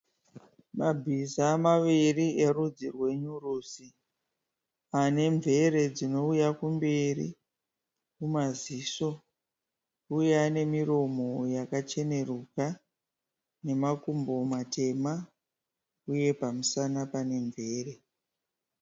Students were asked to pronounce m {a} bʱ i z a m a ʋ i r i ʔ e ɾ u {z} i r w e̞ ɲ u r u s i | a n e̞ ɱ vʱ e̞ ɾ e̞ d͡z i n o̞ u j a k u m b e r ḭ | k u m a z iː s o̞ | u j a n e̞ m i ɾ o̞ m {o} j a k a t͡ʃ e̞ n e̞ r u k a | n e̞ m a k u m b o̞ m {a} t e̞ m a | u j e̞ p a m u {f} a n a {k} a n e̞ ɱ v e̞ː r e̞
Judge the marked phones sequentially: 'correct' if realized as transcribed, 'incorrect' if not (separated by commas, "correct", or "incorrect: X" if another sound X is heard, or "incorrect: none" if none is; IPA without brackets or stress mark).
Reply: correct, incorrect: d͡z, correct, correct, incorrect: s, incorrect: p